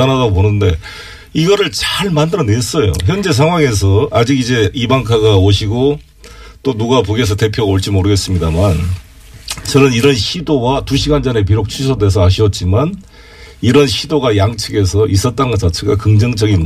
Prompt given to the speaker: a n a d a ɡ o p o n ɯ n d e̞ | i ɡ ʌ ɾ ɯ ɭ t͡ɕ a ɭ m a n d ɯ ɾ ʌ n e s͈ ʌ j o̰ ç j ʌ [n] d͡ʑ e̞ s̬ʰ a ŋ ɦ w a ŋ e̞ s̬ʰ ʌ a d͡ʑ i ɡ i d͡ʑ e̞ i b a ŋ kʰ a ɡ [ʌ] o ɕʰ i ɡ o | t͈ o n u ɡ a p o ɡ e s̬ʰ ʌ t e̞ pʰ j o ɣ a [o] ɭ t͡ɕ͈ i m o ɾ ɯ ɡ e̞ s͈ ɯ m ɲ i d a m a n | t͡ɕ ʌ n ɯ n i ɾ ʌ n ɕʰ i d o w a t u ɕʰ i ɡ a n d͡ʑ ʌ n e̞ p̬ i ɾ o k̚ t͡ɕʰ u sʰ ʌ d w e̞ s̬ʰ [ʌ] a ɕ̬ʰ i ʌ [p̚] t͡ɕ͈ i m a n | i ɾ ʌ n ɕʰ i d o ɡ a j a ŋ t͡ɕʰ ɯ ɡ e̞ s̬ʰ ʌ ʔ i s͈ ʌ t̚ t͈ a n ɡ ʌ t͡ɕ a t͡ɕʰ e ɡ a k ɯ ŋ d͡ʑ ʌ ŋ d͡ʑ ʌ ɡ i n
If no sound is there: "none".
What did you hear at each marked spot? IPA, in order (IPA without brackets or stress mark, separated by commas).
n, a, o, ʌ, t̚